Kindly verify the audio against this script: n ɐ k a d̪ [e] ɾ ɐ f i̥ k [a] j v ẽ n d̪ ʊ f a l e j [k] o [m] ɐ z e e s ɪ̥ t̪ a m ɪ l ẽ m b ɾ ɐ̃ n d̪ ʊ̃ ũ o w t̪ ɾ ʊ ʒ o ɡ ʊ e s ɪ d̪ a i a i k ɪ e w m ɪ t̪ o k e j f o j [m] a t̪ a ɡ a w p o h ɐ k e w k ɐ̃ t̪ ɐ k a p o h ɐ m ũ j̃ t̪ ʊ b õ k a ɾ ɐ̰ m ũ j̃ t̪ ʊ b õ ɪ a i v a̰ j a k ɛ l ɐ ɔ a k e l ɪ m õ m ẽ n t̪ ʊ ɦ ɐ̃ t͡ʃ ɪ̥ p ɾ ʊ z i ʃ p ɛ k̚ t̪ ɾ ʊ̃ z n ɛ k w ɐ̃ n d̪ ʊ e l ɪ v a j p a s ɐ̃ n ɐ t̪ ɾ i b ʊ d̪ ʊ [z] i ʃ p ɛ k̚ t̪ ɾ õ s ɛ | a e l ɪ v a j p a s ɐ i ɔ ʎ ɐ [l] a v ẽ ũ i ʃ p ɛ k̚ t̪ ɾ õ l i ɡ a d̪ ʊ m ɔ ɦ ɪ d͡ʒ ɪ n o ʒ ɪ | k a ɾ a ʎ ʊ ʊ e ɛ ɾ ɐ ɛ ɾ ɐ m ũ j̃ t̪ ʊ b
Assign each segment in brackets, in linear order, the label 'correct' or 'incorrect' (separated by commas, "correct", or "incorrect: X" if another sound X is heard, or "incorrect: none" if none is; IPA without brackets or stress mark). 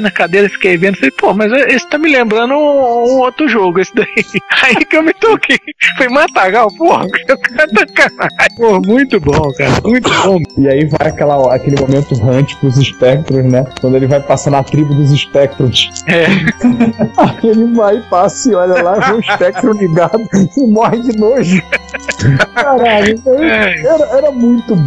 correct, incorrect: e, incorrect: p, correct, correct, correct, correct